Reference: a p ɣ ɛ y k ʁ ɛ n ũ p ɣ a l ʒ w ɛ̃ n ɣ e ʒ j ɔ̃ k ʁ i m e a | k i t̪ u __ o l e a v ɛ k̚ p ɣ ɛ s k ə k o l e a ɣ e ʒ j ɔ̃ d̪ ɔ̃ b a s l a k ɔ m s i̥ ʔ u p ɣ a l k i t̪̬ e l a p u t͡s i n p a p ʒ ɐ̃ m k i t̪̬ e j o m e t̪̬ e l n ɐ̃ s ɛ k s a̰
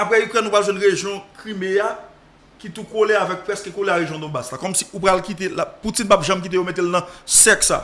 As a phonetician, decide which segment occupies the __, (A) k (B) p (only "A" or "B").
A